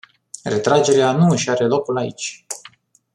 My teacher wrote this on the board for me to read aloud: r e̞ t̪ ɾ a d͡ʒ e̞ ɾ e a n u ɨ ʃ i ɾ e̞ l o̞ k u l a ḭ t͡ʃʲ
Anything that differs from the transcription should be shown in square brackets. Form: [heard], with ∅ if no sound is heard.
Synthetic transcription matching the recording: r e̞ t̪ ɾ a d͡ʒ e̞ ɾ e a n u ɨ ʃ [a] ɾ e̞ l o̞ k u l a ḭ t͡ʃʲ